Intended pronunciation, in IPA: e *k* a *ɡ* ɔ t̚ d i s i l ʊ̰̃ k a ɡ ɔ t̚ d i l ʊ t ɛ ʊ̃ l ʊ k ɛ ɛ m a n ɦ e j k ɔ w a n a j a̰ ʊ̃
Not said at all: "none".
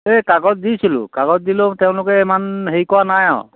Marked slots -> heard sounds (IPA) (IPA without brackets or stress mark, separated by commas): k, ɡ